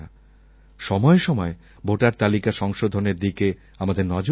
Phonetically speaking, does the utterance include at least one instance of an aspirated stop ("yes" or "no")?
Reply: no